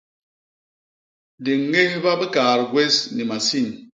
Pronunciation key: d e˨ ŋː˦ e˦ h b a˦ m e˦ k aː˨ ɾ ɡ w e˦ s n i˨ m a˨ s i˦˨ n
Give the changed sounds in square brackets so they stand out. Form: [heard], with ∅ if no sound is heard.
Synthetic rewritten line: d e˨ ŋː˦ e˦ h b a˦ [b] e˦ k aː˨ ɾ ɡ w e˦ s n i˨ m a˨ s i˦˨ n